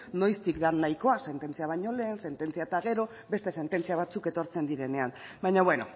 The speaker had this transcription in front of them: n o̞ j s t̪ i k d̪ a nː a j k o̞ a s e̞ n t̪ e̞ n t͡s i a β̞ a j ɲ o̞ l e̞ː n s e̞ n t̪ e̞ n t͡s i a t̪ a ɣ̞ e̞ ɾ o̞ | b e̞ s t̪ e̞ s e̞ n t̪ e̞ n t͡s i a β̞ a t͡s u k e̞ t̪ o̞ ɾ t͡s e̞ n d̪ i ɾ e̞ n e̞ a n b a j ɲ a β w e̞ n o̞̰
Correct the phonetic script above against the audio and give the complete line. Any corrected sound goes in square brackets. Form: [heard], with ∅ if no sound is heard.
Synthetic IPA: n o̞ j s t̪ i k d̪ a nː a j k o̞ a s e̞ n t̪ e̞ n t͡s i a β̞ a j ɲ o̞ l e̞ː n s e̞ n t̪ e̞ n t͡s i a t̪ a ɣ̞ e̞ ɾ o̞ | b e̞ s t̪ e̞ s e̞ n t̪ e̞ n t͡s i a β̞ a t͡s u k e̞ t̪ o̞ ɾ t͡s e̞ n d̪ i ɾ e̞ n e̞ a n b a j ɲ a β w e̞ n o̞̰